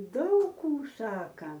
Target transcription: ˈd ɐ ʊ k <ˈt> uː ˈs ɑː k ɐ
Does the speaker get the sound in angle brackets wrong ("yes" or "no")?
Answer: yes